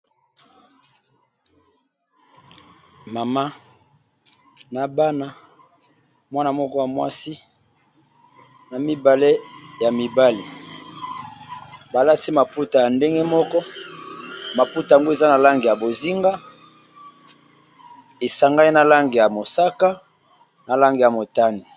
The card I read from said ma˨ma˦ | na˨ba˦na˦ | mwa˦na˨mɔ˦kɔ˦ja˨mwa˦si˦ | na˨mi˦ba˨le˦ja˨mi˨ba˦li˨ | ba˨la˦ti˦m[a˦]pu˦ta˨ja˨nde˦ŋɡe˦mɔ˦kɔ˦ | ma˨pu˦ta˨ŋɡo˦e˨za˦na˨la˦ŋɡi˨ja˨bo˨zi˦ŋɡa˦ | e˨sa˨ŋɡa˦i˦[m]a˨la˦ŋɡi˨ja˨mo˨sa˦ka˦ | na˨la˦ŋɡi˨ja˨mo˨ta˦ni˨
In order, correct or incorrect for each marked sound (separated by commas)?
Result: incorrect, incorrect